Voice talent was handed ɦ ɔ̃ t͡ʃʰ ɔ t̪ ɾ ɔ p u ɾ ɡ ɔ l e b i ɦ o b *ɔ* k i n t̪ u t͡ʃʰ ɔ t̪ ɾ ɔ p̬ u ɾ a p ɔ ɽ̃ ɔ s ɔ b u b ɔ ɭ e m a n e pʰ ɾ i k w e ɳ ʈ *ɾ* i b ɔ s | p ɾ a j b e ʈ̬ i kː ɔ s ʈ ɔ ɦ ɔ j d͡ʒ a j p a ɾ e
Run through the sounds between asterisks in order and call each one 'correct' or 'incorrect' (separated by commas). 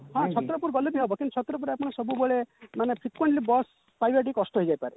correct, incorrect